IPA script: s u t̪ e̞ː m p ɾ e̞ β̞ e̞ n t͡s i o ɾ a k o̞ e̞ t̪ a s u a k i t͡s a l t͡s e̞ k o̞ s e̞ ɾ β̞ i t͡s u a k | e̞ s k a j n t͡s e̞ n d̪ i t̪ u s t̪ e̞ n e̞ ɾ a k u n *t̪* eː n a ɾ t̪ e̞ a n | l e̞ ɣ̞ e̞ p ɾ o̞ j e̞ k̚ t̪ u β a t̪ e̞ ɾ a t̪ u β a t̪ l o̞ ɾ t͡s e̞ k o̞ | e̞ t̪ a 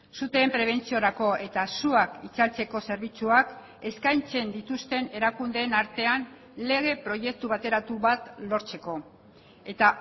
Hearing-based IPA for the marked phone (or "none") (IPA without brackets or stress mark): d̪